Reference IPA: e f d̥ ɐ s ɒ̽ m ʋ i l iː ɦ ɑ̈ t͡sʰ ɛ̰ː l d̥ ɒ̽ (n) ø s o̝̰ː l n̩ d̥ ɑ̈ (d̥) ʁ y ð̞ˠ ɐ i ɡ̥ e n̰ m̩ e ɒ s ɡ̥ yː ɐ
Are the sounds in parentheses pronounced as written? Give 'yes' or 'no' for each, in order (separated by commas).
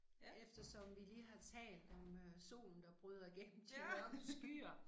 no, no